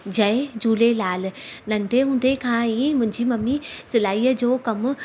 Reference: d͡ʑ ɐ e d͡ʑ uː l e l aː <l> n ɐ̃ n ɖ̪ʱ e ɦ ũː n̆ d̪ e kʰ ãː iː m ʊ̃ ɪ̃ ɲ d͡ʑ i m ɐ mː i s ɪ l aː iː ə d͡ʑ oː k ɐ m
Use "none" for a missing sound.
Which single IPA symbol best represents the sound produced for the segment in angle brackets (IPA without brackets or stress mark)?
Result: l